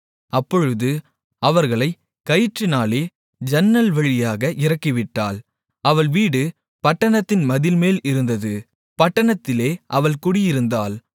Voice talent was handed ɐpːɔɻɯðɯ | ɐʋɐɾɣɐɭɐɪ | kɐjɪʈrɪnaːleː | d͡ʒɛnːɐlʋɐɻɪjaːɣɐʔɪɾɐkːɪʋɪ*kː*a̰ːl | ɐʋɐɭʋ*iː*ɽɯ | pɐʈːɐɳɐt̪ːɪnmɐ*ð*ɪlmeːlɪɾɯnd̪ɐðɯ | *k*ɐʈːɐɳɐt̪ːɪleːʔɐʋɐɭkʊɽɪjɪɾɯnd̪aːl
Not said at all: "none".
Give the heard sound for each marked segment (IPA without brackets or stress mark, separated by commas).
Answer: ʈː, iː, ð, p